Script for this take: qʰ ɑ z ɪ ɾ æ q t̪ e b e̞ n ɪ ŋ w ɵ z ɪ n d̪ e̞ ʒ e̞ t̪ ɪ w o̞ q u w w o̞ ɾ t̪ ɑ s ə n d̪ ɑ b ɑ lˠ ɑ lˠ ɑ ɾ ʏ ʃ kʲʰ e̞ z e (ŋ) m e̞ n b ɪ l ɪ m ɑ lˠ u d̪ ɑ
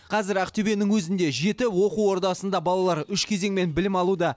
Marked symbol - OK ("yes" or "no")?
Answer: yes